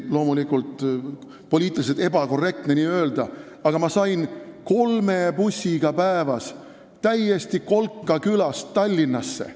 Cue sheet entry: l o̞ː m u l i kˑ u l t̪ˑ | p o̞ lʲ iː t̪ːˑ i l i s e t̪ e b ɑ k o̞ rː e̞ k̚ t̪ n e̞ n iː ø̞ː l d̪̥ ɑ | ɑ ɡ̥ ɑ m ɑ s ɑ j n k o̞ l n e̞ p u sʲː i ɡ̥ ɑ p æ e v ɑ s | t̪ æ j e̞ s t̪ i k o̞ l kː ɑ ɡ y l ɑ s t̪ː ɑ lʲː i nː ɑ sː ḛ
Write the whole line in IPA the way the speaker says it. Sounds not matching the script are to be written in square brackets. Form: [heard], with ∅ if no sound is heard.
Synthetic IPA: l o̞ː m u l i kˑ u l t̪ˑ | p o̞ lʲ iː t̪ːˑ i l i s e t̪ e b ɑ k o̞ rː e̞ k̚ t̪ n e̞ n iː ø̞ː l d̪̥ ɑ | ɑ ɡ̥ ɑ m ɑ s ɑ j n k o̞ l [m] e̞ p u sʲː i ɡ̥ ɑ p æ e v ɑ s | t̪ æ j e̞ s t̪ i k o̞ l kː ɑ [k] y l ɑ s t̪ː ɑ lʲː i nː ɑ sː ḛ

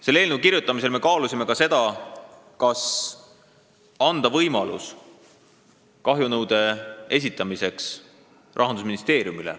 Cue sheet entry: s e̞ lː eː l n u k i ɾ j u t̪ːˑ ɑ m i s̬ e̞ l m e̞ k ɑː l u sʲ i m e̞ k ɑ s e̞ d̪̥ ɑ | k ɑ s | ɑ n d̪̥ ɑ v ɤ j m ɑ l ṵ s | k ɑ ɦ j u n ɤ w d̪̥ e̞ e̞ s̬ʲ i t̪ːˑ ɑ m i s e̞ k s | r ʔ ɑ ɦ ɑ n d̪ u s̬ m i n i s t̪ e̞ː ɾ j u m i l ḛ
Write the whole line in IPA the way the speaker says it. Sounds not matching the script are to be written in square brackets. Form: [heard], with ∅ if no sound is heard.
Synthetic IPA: s e̞ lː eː l n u k i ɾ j u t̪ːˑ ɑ m i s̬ e̞ l m e̞ k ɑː l u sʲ i m e̞ k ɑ s e̞ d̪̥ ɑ | k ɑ s | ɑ n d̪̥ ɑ v ɤ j m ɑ l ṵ s | k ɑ ɦ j u n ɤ w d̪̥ e̞ e̞ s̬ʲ i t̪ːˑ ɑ m i s e̞ k s | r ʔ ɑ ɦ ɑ n d̪ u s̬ m i n i s t̪ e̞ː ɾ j u m i l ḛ

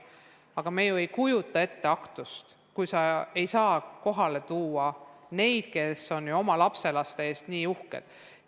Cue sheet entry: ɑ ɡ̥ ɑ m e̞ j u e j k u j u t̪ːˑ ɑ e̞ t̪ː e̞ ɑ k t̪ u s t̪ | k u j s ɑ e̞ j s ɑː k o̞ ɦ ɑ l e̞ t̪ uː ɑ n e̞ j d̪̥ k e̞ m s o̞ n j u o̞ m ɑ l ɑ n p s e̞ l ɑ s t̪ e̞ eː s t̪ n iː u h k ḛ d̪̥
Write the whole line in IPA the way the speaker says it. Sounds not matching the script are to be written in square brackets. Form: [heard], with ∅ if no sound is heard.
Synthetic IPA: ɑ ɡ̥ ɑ m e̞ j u e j k u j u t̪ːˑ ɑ e̞ t̪ː e̞ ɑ k t̪ u s t̪ | k u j s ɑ e̞ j s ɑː k o̞ ɦ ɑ l e̞ t̪ uː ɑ n e̞ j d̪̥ k e̞ [∅] s o̞ n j u o̞ m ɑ l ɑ [∅] p s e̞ l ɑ s t̪ e̞ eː s t̪ n iː u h k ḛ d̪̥

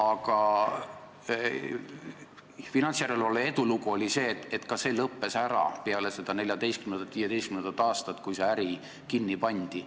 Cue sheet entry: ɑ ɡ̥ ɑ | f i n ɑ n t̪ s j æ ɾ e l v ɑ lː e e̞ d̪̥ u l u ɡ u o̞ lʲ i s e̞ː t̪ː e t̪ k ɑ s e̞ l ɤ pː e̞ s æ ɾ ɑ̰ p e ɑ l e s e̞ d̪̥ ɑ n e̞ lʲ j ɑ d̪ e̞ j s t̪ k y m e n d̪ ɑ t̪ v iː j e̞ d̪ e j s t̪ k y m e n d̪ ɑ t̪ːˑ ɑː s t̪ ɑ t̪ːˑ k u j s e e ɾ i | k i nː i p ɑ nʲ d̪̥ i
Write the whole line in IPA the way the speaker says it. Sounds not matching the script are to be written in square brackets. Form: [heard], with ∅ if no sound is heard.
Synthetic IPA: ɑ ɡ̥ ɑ | f i n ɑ n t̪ s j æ ɾ e l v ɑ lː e e̞ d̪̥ u l u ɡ u o̞ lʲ i s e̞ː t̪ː e t̪ k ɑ s e̞ l ɤ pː e̞ s æ ɾ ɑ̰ p e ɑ l e s e̞ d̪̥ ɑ n e̞ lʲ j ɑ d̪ e̞ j s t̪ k y m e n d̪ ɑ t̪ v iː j e̞ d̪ e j s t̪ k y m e n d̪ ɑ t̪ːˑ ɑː s t̪ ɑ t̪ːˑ k u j s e [æ] ɾ i | k i nː i p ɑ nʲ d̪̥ i

